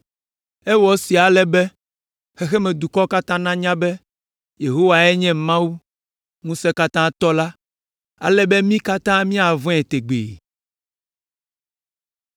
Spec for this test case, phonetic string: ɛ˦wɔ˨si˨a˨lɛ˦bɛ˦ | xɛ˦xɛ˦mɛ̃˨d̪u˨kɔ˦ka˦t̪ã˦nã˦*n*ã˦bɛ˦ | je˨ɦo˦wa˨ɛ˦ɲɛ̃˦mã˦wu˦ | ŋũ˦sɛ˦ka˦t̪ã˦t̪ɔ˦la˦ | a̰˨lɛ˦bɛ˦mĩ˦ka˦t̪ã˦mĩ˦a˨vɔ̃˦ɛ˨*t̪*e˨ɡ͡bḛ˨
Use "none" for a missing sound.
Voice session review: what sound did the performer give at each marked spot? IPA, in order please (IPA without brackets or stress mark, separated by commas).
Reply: ɲ, t̪